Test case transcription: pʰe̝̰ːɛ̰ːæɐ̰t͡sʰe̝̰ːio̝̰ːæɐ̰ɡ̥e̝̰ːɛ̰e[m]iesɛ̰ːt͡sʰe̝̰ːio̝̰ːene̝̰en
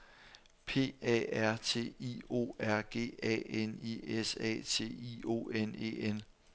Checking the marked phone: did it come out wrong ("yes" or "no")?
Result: yes